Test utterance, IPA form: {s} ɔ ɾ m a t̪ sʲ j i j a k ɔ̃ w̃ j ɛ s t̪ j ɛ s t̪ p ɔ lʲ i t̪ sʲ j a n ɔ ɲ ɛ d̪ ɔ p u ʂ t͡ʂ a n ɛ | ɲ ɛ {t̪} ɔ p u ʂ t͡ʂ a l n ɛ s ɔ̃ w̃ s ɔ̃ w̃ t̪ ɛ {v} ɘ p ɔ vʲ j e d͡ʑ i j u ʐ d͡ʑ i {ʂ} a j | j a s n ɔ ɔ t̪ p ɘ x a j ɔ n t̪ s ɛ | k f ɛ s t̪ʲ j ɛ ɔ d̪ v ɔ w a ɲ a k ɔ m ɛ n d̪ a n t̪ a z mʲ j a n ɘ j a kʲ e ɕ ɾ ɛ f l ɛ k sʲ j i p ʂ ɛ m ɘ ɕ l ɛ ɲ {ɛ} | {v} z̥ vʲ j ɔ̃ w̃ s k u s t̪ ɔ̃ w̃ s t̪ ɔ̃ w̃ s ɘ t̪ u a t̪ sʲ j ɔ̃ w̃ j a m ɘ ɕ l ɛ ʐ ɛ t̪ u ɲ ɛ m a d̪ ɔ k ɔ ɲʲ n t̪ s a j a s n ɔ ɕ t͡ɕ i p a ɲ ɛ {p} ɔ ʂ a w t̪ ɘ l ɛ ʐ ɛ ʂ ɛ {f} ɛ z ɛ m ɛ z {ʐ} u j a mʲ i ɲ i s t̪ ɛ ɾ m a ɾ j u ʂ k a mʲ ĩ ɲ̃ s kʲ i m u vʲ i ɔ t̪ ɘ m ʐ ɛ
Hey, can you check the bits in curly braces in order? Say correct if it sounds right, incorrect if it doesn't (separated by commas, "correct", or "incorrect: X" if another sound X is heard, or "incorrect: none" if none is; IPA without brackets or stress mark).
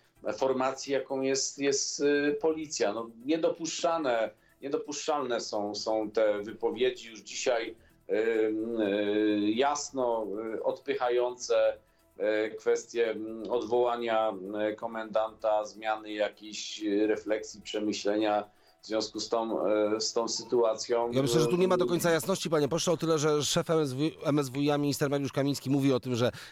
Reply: incorrect: f, incorrect: d̪, correct, incorrect: ɕ, incorrect: a, correct, correct, correct, incorrect: v